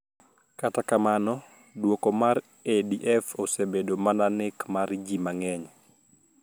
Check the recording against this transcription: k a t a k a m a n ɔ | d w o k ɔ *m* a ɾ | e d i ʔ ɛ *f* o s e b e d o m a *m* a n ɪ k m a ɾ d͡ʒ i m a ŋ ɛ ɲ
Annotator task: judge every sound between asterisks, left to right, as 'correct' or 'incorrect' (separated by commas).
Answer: correct, correct, incorrect